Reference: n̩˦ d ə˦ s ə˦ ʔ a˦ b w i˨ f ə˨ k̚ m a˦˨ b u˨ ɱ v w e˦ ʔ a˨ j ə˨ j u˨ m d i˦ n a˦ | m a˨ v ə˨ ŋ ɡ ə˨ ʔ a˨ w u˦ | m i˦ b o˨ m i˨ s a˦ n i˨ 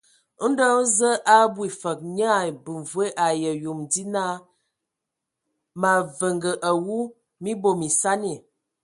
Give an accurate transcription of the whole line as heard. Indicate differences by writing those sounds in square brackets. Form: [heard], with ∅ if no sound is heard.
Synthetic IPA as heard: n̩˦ d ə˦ [z] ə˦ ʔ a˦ b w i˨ f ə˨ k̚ [ɲ] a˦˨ b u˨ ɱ v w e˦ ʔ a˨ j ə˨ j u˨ m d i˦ n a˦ | m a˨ v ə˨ ŋ ɡ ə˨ ʔ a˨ w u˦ | m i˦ b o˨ m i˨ s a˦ n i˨